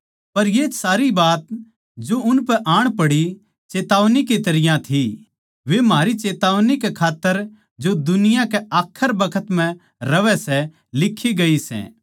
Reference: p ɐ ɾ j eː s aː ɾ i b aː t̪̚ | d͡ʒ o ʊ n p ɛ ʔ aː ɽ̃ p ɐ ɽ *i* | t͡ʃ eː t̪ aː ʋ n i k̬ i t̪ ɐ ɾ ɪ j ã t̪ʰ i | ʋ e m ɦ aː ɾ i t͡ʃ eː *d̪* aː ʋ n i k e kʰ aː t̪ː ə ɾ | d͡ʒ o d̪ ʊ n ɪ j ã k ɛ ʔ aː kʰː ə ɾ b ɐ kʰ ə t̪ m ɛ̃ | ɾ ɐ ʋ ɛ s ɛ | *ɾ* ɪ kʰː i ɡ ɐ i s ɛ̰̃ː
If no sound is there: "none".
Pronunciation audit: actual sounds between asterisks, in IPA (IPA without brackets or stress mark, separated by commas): i, t̪, l